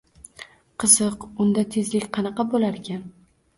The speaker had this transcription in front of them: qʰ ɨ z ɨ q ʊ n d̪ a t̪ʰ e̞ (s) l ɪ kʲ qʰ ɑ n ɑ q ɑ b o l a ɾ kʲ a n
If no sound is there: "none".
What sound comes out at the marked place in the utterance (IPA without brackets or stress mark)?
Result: z